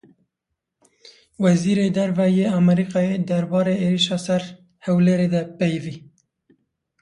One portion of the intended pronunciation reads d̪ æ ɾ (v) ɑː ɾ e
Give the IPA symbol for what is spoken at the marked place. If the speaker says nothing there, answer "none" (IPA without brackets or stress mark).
b